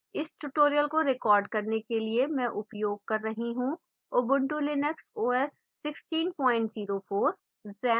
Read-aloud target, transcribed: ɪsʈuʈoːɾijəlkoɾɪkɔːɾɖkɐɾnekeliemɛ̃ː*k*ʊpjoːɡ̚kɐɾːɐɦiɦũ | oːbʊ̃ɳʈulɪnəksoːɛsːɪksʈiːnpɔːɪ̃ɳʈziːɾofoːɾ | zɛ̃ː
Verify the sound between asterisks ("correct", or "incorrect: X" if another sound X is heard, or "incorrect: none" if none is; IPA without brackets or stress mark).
incorrect: ʔ